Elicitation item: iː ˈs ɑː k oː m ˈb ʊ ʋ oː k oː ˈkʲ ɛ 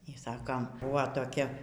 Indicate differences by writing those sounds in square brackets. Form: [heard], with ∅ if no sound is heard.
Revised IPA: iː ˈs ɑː k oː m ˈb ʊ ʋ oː [t] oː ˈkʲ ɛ